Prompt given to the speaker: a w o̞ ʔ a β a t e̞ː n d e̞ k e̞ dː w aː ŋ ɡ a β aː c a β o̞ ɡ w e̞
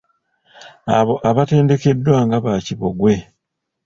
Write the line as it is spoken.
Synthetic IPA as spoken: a β o̞ ʔ a β a t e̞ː n d e̞ k e̞ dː w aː ŋ ɡ a β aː c i β o̞ ɡ w e̞